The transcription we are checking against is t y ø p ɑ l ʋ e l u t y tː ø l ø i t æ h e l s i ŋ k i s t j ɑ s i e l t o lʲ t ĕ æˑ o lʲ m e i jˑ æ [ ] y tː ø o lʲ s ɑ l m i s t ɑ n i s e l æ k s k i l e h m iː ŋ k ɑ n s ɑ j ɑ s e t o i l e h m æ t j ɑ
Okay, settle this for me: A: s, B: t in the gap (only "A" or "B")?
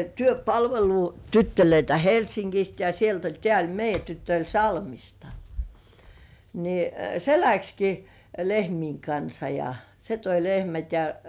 B